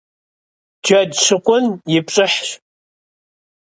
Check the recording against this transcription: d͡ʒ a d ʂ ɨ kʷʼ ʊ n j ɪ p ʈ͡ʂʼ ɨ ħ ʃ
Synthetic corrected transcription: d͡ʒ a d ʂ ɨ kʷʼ ʊ n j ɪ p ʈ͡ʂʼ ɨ ħ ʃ